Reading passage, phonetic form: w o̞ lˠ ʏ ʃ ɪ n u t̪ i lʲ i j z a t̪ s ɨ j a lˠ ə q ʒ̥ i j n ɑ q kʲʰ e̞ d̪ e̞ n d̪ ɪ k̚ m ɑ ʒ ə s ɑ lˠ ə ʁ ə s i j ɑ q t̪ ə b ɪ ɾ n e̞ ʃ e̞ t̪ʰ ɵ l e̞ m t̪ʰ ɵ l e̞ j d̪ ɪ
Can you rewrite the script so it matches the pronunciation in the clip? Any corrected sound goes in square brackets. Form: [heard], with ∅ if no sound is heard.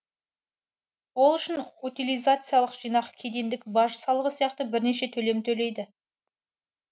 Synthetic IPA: w o̞ lˠ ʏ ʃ ɪ n u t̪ i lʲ i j z a t̪ s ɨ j a lˠ ə q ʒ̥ i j n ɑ q kʲʰ e̞ d̪ e̞ n d̪ ɪ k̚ [b] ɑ ʒ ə s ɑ lˠ ə ʁ ə s i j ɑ q t̪ ə b ɪ ɾ n e̞ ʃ e̞ t̪ʰ ɵ l e̞ m t̪ʰ ɵ l e̞ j d̪ ɪ